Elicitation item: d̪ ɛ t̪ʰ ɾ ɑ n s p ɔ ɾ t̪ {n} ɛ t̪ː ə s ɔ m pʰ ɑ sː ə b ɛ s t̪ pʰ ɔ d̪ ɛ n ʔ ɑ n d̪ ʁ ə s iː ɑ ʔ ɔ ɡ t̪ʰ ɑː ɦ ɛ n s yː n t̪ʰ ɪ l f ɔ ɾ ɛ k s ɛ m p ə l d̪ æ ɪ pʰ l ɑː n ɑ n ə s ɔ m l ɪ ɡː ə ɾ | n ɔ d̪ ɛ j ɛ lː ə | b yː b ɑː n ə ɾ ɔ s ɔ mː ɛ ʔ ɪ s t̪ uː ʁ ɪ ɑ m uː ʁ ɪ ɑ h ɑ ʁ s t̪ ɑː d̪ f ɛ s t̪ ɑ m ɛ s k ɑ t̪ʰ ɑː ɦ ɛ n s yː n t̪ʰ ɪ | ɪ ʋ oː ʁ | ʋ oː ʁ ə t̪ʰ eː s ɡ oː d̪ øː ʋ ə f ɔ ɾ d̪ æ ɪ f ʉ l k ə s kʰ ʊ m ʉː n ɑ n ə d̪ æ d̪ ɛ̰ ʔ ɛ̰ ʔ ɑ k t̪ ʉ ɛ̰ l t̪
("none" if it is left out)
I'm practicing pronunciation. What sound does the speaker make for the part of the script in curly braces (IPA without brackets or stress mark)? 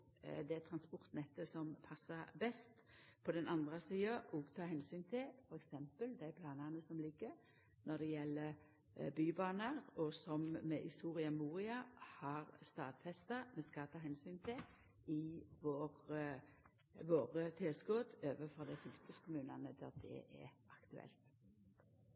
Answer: n